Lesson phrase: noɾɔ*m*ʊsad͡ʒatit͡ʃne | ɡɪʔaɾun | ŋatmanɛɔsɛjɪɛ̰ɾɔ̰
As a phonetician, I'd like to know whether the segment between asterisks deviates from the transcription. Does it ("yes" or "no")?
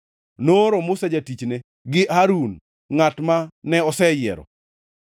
no